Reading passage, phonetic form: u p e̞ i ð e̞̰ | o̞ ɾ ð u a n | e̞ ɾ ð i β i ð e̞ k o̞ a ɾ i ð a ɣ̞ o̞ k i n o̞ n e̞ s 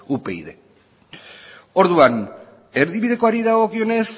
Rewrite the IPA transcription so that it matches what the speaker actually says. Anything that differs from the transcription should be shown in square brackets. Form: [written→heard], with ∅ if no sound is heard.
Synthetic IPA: u p e̞ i ð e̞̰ | o̞ ɾ ð u a n | e̞ ɾ ð i β i ð e̞ k o̞ a ɾ i ð a ɣ̞ o̞ k i [n→∅] o̞ n e̞ s